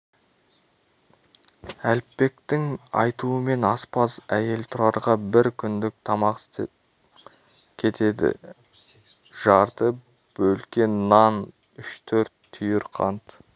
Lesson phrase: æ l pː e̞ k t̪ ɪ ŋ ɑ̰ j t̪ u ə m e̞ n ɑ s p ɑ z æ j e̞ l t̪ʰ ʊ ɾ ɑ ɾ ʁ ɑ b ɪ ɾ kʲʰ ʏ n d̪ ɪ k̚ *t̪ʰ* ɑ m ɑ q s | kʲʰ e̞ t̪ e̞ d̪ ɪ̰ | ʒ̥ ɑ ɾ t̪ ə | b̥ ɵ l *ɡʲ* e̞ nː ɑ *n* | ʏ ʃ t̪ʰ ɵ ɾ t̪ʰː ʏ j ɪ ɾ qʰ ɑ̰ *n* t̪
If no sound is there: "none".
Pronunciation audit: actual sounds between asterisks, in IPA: t̪ʰ, kʲ, n, n

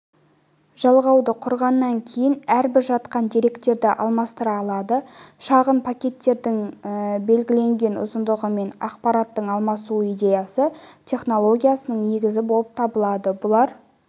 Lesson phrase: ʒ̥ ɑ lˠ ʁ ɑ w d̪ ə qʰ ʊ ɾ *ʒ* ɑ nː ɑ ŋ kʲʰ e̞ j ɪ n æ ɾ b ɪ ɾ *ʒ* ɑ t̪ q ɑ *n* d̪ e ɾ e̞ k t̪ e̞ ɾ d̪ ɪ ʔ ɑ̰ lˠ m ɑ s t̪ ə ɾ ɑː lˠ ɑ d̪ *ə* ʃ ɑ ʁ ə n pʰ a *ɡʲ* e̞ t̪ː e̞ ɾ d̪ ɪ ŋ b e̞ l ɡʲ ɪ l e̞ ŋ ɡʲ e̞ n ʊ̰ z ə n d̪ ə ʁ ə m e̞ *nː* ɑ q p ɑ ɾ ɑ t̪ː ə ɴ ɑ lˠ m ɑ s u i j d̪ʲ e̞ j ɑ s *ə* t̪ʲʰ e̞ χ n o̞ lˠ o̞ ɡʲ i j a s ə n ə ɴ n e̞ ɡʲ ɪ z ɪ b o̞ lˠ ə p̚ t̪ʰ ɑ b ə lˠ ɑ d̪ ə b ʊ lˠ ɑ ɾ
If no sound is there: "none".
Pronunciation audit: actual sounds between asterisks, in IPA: ʁ, ʒ, n, ə, kʲ, n, ə

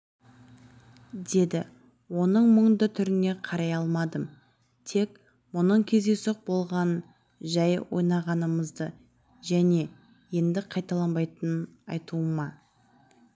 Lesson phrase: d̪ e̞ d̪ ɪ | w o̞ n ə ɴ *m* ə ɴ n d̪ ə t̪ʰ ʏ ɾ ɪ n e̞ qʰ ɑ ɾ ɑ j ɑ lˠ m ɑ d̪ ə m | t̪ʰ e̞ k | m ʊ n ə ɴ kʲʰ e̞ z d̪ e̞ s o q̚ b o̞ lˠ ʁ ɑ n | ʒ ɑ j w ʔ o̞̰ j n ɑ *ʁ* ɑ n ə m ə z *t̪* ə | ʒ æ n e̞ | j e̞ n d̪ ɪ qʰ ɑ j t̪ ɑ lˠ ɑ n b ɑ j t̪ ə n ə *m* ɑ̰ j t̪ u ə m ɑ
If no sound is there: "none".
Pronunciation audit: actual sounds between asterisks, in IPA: m, ʁ, d̪, n

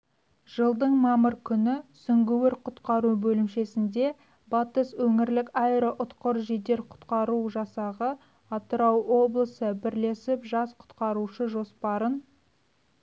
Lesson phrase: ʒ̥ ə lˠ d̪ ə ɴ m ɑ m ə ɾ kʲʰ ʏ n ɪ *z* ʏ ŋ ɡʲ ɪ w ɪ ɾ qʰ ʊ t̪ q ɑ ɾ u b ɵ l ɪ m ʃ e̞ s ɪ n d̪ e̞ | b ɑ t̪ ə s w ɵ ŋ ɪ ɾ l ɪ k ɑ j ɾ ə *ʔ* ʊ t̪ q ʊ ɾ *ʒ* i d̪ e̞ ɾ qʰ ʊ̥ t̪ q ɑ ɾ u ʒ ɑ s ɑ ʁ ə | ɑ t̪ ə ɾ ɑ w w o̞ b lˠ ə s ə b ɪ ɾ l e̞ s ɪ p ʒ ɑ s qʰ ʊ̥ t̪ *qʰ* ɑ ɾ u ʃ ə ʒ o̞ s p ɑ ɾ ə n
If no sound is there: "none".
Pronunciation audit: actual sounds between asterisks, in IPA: s, ʔ, ʒ, q

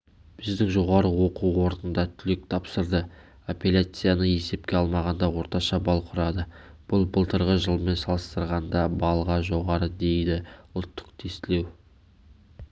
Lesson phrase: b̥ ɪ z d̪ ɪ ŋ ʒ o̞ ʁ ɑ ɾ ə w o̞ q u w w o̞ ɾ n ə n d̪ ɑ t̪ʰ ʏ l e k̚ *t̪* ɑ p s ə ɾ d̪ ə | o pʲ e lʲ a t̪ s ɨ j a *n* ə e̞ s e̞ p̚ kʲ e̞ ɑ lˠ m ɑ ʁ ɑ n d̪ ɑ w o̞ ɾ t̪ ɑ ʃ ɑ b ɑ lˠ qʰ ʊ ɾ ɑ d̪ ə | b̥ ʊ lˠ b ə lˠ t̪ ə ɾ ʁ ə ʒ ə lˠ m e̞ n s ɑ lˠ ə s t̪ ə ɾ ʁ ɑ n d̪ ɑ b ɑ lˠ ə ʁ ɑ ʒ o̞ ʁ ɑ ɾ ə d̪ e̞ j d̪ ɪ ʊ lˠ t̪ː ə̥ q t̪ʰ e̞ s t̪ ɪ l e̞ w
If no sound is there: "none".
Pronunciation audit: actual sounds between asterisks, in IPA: t̪ʰ, n

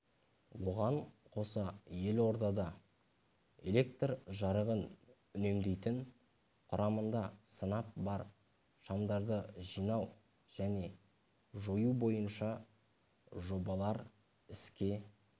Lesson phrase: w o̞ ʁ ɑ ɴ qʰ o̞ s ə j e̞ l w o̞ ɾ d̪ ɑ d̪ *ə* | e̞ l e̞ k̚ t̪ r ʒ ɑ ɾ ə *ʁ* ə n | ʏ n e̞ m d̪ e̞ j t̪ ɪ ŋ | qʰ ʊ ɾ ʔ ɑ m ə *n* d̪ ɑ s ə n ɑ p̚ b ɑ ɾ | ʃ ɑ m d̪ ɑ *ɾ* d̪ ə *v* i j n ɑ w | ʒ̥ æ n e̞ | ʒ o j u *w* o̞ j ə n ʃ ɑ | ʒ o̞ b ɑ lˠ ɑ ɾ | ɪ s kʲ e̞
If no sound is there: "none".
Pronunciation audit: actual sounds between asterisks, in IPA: ɑ, ʁ, n, ɾ, ʒ, b

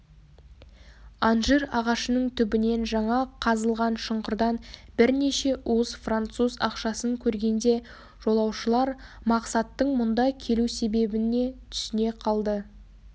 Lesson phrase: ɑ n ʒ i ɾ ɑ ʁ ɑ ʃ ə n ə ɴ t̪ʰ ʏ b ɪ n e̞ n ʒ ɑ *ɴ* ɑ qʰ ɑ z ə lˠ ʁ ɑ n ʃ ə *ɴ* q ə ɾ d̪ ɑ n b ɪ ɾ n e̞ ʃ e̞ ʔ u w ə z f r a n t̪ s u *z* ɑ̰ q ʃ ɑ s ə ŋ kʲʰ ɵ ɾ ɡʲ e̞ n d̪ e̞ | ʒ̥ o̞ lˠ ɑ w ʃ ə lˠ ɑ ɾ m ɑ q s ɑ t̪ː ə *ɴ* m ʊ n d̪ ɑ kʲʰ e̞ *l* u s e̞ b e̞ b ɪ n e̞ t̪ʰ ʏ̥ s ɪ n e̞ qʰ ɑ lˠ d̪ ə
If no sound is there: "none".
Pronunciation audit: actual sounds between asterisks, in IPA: ɴ, ɴ, z, ɴ, l

